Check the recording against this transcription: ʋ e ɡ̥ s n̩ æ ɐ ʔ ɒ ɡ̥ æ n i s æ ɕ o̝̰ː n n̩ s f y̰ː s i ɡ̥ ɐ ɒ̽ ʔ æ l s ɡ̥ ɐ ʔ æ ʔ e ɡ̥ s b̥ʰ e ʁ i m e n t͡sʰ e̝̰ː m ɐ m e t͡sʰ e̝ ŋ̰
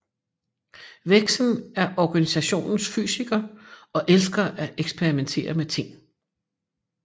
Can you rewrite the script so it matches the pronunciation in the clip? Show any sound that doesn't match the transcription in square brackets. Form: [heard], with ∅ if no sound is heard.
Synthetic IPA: ʋ e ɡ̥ s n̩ æ ɐ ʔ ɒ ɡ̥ æ n i s æ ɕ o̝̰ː n n̩ s f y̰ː s i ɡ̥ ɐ ɒ̽ ʔ [e] l s ɡ̥ ɐ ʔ æ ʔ e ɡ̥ s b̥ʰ e ʁ i m e n t͡sʰ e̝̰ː [∅] ɐ m e t͡sʰ e̝ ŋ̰

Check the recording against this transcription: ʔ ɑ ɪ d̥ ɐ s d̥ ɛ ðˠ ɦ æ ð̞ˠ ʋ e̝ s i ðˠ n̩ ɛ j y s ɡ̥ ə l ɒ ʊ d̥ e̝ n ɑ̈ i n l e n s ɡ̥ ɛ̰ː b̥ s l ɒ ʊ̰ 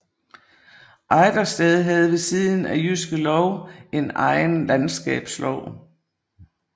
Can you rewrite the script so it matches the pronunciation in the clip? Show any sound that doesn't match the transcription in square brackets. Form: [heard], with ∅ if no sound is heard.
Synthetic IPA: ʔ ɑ ɪ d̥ ɐ s d̥ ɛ ðˠ ɦ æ ð̞ˠ ʋ e̝ s i ðˠ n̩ [æ] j y s ɡ̥ ə l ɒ ʊ [∅] e̝ n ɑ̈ [ɪ] n l [æ] n s ɡ̥ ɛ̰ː b̥ s l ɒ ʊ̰

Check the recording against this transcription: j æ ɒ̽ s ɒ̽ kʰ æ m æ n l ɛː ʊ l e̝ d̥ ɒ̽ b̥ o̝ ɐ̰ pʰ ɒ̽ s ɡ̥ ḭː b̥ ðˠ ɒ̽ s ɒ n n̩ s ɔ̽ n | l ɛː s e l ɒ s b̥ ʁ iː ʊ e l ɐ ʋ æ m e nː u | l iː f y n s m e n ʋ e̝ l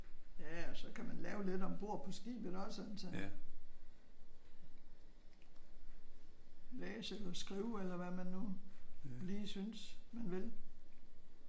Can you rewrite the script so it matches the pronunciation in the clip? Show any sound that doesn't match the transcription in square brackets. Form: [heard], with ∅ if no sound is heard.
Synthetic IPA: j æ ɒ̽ s ɒ̽ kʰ æ m æ n l ɛː ʊ l e̝ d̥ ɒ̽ b̥ o̝ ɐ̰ pʰ ɒ̽ s ɡ̥ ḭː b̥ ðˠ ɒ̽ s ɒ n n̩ s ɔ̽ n | l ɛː s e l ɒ s [ɡ̥] ʁ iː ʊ e l ɐ ʋ æ m [æ] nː u | l iː [s] y n s m [æ] n ʋ e̝ l

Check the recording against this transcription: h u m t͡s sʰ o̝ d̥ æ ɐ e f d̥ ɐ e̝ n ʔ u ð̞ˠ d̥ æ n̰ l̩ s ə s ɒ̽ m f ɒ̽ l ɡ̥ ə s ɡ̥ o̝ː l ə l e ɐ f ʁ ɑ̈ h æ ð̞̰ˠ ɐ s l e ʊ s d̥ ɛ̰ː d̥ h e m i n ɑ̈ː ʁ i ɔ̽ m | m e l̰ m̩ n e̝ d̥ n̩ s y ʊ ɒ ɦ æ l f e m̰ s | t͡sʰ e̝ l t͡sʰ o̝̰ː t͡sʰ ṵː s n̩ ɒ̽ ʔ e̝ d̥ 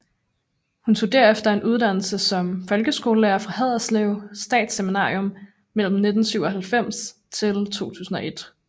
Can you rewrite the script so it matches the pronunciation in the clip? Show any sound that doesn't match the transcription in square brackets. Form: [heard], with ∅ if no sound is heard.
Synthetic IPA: h u [n] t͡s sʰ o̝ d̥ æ ɐ e f d̥ ɐ e̝ n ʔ u ð̞ˠ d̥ æ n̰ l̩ s ə s ɒ̽ m f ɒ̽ l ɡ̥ ə s ɡ̥ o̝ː l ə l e ɐ f ʁ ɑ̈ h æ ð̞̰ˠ ɐ s l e ʊ s d̥ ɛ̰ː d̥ [s] e m i n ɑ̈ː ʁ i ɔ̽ m | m e l̰ m̩ n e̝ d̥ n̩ s y ʊ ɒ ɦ æ l f e m̰ s | t͡sʰ e̝ l t͡sʰ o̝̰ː t͡sʰ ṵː s n̩ ɒ̽ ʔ e̝ d̥

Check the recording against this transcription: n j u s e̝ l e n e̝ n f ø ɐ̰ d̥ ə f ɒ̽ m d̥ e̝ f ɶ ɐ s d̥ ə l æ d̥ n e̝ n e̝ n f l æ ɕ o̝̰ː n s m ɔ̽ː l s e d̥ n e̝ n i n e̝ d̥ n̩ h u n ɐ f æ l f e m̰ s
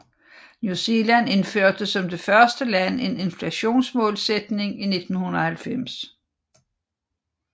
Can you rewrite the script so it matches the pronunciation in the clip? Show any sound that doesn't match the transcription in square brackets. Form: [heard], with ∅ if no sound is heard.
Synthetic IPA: n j u s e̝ l [æ] n e̝ n f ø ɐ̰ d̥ ə [s] ɒ̽ m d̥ e̝ f ɶ ɐ s d̥ ə l æ [∅] n e̝ n e̝ n f l æ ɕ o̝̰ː n s m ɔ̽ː l s e d̥ n e̝ [ŋ] i n e̝ d̥ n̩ h u n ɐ [h] æ l f e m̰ s

